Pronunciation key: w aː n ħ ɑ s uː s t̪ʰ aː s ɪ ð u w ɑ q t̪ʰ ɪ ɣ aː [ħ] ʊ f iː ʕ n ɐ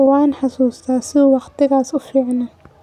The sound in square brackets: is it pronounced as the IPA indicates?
no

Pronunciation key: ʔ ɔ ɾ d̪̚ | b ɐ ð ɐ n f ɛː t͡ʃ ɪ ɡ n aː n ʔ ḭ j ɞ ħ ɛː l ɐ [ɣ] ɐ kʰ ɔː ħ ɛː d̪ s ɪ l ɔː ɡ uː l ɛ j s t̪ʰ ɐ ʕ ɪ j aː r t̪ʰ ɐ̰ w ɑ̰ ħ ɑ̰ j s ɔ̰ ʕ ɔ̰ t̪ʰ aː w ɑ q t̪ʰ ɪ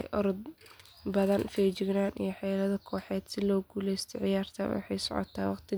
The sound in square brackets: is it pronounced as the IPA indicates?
no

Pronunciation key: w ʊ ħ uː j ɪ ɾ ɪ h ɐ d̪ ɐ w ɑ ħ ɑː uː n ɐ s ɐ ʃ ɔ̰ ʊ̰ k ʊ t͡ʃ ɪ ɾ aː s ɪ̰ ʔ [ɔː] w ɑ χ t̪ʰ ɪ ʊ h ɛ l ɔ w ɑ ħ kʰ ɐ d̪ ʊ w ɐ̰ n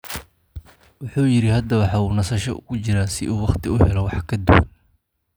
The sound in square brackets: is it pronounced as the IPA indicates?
no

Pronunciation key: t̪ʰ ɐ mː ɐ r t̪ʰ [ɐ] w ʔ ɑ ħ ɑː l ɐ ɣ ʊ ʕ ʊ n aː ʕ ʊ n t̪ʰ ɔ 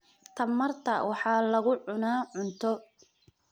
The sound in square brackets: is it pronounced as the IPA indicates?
yes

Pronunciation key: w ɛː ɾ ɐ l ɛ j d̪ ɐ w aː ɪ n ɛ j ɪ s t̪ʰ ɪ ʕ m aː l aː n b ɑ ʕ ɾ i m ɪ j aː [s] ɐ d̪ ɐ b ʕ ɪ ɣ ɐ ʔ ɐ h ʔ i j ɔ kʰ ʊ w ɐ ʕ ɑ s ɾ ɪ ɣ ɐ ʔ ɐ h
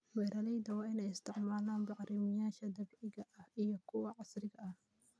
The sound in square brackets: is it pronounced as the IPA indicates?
no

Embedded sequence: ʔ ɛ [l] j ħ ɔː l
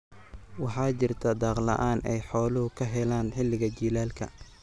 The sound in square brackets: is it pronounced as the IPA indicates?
no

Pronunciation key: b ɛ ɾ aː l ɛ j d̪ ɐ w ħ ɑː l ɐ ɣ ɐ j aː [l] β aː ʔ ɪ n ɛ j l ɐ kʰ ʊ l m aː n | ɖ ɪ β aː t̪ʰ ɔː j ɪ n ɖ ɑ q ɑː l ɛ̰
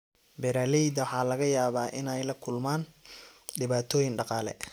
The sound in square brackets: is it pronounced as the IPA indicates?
no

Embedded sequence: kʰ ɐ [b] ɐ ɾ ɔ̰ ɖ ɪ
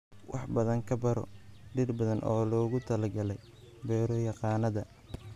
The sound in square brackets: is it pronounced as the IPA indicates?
yes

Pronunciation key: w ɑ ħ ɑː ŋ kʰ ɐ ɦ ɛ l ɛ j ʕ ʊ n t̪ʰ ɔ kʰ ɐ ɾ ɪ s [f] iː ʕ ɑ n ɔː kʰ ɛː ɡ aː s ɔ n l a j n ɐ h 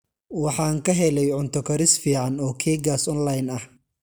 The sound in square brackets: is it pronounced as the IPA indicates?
yes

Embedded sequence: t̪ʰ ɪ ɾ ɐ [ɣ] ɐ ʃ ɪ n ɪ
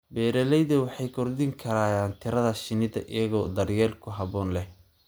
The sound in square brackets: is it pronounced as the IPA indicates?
no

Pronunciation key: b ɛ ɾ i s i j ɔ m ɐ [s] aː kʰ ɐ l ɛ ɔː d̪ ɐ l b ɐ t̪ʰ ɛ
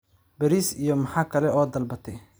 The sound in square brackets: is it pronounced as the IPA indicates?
no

